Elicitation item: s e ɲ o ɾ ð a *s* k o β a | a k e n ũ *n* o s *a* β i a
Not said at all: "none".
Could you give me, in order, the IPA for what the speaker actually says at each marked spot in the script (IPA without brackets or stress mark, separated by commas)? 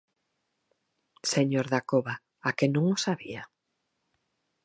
none, ŋ, a